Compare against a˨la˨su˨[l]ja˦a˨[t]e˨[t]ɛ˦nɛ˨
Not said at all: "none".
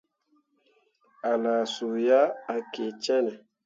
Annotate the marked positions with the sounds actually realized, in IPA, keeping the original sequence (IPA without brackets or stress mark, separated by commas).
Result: none, k, t͡ʃ